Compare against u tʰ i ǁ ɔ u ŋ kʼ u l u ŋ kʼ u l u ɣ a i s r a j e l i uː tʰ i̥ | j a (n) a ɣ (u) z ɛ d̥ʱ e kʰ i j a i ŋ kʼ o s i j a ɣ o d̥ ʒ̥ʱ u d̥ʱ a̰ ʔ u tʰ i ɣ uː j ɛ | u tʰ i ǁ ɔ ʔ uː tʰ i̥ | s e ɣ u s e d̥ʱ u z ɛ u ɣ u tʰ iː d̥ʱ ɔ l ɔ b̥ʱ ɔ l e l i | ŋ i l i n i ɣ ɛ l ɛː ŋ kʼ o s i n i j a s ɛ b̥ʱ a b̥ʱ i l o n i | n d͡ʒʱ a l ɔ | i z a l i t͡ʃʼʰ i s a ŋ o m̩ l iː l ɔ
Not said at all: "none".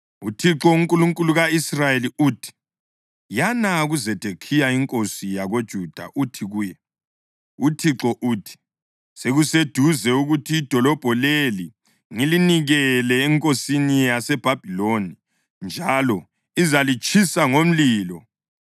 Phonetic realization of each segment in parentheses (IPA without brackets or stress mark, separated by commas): n, u